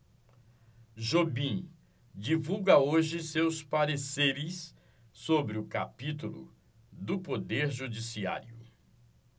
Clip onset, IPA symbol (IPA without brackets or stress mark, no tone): ʒ